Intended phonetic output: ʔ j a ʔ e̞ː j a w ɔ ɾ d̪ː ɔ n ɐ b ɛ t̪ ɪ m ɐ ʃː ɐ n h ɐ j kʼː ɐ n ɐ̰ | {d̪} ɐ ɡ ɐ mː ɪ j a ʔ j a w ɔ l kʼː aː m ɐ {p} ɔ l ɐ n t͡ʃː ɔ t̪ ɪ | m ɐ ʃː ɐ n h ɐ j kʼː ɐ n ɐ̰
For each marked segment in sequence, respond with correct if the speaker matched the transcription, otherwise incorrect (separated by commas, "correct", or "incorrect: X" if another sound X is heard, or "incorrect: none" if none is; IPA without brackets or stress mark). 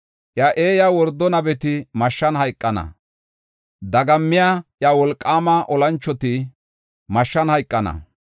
correct, incorrect: ʔ